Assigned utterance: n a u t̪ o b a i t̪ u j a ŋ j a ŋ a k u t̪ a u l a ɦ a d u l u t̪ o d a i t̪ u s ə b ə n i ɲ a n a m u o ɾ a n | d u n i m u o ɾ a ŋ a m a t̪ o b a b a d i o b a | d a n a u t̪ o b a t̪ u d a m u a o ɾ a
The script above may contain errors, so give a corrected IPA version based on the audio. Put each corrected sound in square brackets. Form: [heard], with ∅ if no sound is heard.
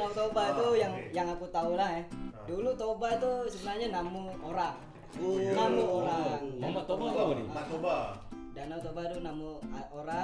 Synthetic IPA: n a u t̪ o b a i t̪ u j a ŋ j a ŋ a k u t̪ a u l a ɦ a d u l u t̪ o [b] a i t̪ u s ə b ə n [a] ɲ a n a m u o ɾ a [ŋ] | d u n [a] m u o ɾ a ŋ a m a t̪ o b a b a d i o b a | d a n a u t̪ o b a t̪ u [n] a m u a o ɾ a